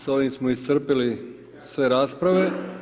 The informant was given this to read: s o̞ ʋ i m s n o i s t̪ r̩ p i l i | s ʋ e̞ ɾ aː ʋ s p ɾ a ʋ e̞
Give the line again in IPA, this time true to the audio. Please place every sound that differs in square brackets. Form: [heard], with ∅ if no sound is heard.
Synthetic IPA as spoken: s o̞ ʋ i m s [m] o i s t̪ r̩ p i l i | s ʋ e̞ ɾ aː [∅] s p ɾ a ʋ e̞